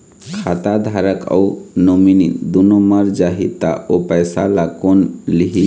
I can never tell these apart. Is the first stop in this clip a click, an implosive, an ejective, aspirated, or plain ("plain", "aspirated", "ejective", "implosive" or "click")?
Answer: aspirated